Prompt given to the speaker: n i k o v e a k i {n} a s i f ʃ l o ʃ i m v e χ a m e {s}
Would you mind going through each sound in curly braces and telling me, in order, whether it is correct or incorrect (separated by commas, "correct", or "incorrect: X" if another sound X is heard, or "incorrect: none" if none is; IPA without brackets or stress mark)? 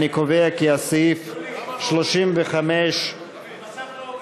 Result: incorrect: none, incorrect: ʃ